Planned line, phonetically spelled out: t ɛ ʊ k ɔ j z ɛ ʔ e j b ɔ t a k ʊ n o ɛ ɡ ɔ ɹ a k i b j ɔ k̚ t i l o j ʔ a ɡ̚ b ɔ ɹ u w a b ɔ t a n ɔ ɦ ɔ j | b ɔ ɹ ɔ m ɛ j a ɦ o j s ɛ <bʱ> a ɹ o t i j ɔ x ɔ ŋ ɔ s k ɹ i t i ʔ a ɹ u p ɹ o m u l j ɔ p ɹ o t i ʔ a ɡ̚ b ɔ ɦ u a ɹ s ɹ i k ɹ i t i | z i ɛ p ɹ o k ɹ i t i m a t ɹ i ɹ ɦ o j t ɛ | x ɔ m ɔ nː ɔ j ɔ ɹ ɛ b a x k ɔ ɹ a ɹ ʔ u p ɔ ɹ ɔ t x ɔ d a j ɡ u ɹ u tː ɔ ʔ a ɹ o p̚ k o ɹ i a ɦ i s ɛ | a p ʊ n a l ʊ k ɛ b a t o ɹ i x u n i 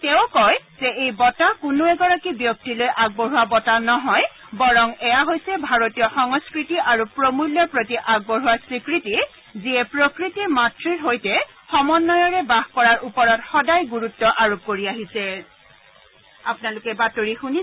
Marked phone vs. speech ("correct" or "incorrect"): correct